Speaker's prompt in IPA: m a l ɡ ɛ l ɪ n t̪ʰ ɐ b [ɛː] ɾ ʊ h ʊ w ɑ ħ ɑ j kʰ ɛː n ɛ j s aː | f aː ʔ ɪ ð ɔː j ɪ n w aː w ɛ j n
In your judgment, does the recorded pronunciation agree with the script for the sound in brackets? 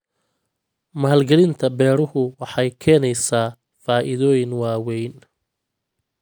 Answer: yes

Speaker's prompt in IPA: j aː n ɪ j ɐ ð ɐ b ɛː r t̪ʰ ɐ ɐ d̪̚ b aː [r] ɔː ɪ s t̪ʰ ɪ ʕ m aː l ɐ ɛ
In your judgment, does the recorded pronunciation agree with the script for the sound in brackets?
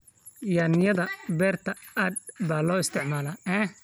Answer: no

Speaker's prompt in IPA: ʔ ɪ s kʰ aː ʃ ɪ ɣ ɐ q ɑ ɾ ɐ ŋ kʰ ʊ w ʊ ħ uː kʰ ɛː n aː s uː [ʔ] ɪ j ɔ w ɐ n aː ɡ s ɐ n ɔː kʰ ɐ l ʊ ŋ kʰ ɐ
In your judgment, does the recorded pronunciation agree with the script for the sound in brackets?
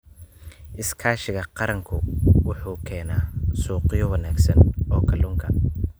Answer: no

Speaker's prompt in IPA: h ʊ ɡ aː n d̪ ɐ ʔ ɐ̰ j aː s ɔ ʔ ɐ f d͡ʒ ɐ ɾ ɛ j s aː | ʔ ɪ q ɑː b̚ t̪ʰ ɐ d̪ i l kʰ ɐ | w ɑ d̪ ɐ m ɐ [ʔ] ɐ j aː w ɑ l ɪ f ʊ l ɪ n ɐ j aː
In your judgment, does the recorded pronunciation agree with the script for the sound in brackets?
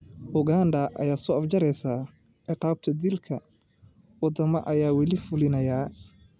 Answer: yes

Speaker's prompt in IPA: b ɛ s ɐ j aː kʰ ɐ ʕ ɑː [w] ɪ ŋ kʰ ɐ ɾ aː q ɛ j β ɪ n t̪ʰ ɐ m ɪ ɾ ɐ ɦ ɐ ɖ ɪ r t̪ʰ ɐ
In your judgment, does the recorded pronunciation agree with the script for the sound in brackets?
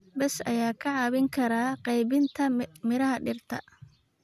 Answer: no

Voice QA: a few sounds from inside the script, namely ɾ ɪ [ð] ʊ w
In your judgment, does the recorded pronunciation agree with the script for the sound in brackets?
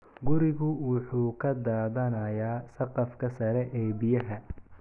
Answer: no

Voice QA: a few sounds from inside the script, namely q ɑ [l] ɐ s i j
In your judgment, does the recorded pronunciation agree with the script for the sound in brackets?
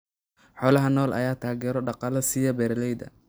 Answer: yes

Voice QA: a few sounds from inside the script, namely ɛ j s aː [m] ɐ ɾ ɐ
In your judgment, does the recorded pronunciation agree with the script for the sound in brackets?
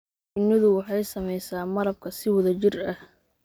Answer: yes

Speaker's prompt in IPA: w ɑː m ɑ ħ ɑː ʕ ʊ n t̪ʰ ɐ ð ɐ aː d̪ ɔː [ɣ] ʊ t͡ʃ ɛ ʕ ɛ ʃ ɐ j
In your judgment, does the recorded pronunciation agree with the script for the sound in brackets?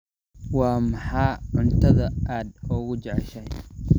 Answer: yes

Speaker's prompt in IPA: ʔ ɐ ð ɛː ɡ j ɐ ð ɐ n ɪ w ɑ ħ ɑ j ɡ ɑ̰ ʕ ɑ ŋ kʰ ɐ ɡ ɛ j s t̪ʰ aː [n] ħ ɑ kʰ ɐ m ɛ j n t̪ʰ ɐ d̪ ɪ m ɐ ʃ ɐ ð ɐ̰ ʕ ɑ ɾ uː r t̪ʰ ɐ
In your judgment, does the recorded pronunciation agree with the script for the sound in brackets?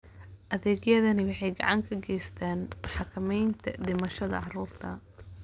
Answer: yes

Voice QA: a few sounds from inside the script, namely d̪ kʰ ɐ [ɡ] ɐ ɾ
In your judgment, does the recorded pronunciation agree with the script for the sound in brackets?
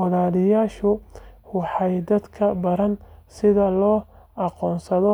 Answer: no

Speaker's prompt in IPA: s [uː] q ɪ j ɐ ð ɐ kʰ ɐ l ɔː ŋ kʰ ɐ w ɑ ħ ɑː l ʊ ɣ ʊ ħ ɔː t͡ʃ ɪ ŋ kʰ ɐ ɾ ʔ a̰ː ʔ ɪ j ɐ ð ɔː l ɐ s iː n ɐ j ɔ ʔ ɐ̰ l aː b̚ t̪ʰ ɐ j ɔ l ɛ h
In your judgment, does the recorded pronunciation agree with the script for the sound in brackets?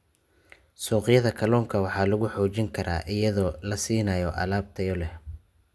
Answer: no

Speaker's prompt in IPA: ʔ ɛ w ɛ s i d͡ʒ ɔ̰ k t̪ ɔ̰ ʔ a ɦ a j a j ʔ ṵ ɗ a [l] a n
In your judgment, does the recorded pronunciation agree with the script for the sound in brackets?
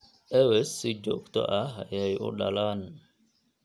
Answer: yes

